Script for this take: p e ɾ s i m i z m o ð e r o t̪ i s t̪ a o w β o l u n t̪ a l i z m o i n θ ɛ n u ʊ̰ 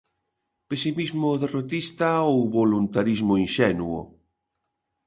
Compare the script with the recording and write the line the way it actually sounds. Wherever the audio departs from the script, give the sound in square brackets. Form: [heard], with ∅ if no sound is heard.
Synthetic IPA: p e [∅] s i m i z m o ð e r o t̪ i s t̪ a o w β o l u n t̪ a [ɾ] i z m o i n [ʃ] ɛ n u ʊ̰